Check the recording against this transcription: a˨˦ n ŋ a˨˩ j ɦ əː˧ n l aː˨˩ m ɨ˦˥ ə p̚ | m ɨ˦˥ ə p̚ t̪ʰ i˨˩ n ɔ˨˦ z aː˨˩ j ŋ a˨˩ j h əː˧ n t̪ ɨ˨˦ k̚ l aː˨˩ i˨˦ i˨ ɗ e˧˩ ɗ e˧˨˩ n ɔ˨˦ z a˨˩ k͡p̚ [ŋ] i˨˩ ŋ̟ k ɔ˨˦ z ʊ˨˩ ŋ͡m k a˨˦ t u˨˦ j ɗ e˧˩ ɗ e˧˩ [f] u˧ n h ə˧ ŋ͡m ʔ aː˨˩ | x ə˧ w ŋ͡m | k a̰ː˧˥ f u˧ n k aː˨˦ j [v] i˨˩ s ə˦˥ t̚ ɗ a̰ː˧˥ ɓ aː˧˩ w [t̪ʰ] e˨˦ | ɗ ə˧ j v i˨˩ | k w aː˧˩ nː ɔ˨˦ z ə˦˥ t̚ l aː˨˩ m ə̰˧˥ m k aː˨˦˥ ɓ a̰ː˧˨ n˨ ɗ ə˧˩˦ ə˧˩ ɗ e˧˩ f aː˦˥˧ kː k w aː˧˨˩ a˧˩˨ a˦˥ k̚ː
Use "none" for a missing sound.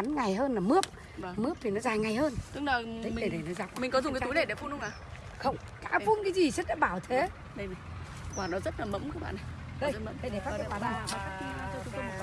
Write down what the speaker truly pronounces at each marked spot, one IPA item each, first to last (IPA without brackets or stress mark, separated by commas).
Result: m, f, z, t̪ʰ